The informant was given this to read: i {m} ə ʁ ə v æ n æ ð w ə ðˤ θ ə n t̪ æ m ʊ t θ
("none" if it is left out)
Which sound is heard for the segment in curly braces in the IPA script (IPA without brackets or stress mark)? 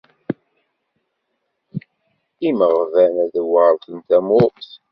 m